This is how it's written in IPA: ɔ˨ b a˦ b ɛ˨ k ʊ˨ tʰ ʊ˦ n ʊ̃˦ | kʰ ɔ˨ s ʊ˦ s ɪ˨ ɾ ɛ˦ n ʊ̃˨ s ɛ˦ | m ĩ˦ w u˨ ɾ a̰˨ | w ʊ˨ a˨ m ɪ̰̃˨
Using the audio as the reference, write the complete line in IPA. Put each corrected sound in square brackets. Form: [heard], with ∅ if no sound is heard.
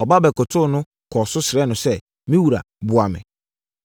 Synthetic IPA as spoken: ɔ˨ b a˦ b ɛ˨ k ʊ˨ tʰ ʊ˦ n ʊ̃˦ | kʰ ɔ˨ s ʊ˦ s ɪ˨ ɾ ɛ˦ n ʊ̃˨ s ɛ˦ | m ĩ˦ w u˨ ɾ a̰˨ | [b] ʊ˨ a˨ m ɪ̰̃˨